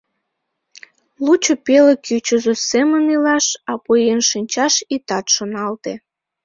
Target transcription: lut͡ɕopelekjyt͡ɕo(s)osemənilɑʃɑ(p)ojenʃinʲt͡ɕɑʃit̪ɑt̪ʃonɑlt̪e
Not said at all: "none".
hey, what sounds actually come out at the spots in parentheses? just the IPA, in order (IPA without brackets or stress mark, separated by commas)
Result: z, p